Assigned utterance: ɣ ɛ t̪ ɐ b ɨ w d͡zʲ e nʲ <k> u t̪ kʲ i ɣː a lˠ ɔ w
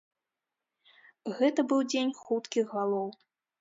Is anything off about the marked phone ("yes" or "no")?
yes